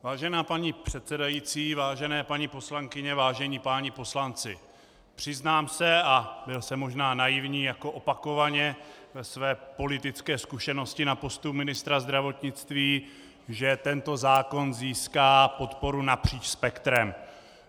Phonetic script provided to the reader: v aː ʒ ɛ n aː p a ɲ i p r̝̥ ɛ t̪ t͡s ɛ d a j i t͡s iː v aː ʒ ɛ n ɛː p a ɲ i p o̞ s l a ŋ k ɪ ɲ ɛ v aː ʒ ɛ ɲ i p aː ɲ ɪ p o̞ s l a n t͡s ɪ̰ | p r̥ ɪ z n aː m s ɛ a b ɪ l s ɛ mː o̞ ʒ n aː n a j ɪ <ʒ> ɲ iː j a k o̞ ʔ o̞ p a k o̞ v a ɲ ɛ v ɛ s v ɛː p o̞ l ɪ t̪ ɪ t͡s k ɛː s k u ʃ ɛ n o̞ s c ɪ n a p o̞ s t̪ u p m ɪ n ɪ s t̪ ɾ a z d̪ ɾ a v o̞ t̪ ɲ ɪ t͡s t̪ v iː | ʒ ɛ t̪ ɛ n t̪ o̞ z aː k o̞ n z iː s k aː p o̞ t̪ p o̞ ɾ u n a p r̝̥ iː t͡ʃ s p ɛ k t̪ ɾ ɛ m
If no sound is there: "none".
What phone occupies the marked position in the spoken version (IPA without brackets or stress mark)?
v